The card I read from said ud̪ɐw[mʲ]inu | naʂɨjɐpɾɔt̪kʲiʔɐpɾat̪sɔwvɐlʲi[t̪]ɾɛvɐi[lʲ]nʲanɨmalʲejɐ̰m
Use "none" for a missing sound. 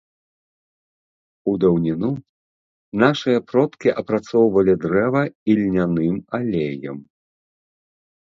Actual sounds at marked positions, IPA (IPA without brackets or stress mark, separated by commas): nʲ, d̪, lʲ